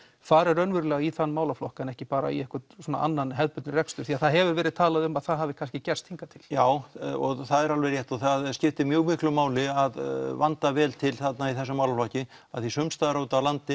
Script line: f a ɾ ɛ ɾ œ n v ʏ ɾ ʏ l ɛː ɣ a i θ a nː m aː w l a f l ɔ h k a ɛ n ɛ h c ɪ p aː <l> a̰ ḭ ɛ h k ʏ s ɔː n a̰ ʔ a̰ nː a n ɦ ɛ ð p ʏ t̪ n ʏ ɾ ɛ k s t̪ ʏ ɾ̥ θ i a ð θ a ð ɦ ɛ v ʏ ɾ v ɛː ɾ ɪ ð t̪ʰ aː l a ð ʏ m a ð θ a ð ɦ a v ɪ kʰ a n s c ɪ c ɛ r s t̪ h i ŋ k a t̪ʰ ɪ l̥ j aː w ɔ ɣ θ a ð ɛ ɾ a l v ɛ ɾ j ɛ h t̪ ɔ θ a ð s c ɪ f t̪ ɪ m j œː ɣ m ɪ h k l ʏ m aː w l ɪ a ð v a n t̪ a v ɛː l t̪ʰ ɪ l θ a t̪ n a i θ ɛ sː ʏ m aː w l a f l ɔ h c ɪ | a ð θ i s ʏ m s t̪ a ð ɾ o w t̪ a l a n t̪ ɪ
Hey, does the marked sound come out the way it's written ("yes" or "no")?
no